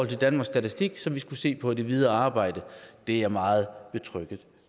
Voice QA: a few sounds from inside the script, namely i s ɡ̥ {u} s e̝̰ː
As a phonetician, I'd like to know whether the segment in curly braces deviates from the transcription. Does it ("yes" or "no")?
no